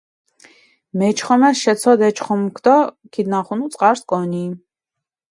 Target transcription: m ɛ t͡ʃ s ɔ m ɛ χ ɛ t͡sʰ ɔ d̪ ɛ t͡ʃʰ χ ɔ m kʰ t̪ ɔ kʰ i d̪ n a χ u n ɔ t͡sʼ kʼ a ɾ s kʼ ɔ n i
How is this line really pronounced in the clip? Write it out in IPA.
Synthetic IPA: m ɛ t͡ʃ χ ɔ m ɛ ʃ ɛ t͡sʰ ɔ d̪ ɛ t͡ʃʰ χ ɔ m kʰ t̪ ɔ kʰ i d̪ n a χ u n u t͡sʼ qʼ a ɾ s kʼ ɔ n i